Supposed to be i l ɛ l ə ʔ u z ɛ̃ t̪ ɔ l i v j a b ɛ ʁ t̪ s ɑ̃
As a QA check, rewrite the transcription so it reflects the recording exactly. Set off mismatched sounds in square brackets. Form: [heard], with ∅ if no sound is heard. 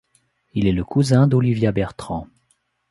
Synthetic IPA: i l ɛ l ə [k] u z ɛ̃ [d̪] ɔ l i v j a b ɛ ʁ t̪ [χ] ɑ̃